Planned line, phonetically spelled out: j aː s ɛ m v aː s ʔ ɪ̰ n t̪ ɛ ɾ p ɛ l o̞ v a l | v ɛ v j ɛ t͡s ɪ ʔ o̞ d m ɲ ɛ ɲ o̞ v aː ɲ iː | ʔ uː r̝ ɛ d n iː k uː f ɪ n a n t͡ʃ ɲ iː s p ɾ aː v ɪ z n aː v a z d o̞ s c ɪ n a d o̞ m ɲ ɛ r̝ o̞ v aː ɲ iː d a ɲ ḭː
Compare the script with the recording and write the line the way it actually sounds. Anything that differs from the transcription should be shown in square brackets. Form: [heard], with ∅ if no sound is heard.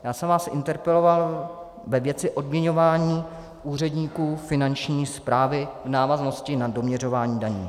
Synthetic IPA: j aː s ɛ m v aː s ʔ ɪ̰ n t̪ ɛ ɾ p ɛ l o̞ v a l | v ɛ v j ɛ t͡s ɪ ʔ o̞ d m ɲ ɛ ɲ o̞ v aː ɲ iː | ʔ uː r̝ ɛ d [ɲ] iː k uː f ɪ n a n t͡ʃ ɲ iː s p ɾ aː v ɪ [v] n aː v a z [n] o̞ s c ɪ n a d o̞ m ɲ ɛ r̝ o̞ v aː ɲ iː d a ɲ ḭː